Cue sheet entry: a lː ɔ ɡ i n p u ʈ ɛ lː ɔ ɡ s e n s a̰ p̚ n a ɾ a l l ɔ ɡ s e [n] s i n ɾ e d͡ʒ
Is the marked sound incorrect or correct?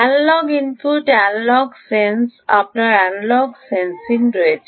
correct